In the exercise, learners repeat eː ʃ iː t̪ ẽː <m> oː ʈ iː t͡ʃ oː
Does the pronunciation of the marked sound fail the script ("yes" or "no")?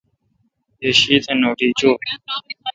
yes